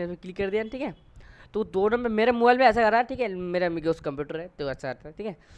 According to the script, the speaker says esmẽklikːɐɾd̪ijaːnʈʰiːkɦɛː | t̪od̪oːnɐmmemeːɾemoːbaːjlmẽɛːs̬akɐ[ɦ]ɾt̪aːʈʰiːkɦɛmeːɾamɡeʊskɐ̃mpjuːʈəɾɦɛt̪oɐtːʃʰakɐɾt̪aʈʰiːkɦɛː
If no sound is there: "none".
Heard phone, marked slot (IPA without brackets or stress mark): none